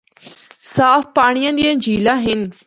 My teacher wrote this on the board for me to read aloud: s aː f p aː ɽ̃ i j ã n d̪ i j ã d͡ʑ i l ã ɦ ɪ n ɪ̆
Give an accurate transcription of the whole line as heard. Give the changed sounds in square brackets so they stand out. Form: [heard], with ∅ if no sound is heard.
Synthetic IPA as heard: s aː f p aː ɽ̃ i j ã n d̪ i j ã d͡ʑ [iː] l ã ɦ ɪ n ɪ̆